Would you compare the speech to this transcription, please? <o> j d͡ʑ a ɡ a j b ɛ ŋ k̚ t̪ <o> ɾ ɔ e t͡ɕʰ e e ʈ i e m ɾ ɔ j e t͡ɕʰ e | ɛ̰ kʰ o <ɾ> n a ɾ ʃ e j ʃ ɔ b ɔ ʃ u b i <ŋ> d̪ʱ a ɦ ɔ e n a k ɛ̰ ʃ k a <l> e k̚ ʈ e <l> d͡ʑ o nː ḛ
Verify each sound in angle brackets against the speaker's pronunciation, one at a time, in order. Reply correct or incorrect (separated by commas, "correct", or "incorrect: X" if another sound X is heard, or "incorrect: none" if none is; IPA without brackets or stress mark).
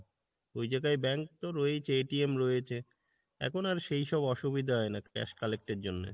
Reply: correct, correct, incorrect: none, incorrect: none, correct, incorrect: ɾ